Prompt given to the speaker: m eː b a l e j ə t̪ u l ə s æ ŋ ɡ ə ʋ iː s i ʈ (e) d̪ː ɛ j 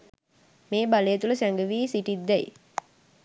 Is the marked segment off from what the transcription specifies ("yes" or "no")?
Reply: yes